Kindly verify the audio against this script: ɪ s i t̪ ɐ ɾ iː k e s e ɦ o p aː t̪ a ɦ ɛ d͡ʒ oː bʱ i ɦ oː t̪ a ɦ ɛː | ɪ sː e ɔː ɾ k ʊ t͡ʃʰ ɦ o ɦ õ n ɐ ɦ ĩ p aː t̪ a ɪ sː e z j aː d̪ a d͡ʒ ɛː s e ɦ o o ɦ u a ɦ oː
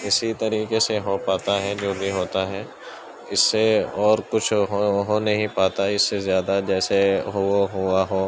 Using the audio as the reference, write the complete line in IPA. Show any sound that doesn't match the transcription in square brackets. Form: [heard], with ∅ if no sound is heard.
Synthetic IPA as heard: ɪ s i t̪ ɐ ɾ iː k e s e ɦ o p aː t̪ a ɦ ɛ d͡ʒ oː bʱ i ɦ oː t̪ a ɦ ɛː | ɪ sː e ɔː ɾ k ʊ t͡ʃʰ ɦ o ɦ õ n ɐ ɦ ĩ p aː t̪ a ɪ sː e z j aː d̪ a d͡ʒ ɛː s e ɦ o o ɦ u a ɦ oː

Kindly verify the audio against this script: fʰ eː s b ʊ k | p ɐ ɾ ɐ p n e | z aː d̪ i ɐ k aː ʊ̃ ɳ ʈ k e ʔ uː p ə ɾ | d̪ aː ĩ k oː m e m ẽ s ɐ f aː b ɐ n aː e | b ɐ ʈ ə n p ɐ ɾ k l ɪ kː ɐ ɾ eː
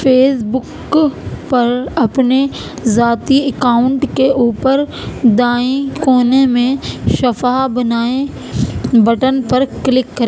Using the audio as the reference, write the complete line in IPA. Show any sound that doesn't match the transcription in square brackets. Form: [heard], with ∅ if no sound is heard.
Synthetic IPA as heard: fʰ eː s b ʊ k | p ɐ ɾ ɐ p n e | z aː [t̪] i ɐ k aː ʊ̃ ɳ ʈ k e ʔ uː p ə ɾ | d̪ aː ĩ k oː [n] e m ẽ [ʃ] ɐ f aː b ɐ n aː e | b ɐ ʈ ə n p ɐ ɾ k l ɪ kː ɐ ɾ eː

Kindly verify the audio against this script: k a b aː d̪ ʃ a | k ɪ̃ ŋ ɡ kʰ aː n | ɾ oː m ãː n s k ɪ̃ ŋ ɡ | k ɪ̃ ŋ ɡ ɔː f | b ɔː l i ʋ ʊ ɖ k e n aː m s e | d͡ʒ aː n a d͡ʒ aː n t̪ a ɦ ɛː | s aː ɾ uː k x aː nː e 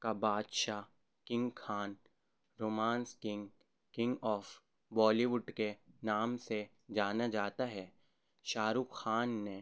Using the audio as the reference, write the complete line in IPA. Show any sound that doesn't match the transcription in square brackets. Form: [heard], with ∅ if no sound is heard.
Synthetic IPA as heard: k a b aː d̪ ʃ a | k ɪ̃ ŋ ɡ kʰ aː n | ɾ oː m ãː n s k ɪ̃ ŋ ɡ | k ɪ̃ ŋ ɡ ɔː f | b ɔː l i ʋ ʊ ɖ k e n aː m s e | d͡ʒ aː n a d͡ʒ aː [∅] t̪ a ɦ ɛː | [ʃ] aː ɾ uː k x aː nː e

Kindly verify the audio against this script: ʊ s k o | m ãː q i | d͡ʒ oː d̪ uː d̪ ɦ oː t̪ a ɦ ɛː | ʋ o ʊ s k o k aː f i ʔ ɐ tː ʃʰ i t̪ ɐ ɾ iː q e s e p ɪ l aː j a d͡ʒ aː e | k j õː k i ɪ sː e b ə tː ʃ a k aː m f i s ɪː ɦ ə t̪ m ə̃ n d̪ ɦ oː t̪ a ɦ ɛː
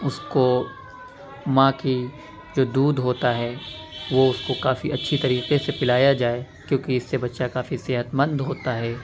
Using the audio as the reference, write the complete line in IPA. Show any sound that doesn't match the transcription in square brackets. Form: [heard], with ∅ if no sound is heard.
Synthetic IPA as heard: ʊ s k o | m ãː [k] i | d͡ʒ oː d̪ uː d̪ ɦ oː t̪ a ɦ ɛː | ʋ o ʊ s k o k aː f i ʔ ɐ tː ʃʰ i t̪ ɐ ɾ iː q e s e p ɪ l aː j a d͡ʒ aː e | k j õː k i ɪ sː e b [ɐ] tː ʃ a k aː [∅] f i s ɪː ɦ ə t̪ m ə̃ n d̪ ɦ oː t̪ a ɦ ɛː

